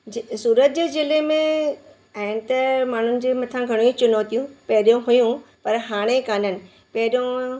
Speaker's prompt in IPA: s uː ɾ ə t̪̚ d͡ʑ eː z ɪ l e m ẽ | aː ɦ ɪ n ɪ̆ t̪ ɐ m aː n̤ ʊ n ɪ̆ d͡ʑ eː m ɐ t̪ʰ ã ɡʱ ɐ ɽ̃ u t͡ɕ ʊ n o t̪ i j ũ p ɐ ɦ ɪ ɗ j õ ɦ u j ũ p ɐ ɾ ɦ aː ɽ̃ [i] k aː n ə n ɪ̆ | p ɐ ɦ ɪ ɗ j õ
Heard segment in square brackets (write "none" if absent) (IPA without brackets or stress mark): e